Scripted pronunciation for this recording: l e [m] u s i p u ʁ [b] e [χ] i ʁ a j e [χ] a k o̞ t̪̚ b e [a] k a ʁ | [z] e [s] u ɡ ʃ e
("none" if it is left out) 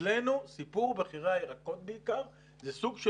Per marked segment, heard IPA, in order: n, b, χ, ʁ, i, z, s

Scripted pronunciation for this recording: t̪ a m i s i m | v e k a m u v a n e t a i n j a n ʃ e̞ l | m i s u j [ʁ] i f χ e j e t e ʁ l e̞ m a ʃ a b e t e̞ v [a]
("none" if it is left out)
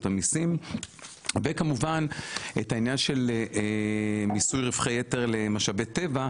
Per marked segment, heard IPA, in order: ʁ, a

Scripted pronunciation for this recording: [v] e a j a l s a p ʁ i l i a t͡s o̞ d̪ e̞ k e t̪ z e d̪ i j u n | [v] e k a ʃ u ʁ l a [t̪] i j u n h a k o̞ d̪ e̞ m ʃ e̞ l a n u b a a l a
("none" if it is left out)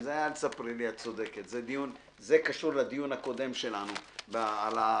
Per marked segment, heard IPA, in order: z, z, d̪

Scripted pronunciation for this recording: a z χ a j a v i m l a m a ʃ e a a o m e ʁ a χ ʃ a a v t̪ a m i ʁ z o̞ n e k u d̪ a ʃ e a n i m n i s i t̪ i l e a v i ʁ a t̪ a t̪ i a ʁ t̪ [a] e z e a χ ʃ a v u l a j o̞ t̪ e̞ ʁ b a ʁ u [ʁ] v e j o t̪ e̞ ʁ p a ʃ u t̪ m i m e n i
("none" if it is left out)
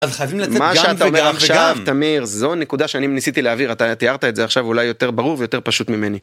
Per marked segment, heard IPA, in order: a, ʁ

